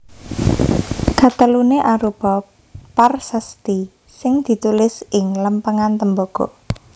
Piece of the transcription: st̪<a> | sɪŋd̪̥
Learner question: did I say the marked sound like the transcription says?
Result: no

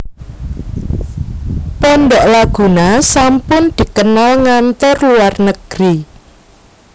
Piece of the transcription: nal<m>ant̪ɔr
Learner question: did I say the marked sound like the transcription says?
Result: no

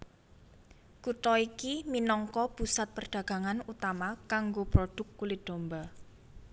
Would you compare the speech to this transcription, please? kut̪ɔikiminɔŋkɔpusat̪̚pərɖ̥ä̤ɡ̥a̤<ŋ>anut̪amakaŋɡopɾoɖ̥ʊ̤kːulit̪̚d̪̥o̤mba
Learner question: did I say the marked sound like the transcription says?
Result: yes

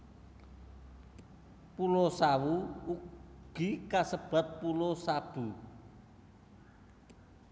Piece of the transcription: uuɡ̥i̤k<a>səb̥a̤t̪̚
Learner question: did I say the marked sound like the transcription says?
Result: yes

